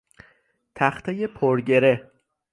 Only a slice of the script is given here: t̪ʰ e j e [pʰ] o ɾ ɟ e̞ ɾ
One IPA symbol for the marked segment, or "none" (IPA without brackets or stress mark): pʰ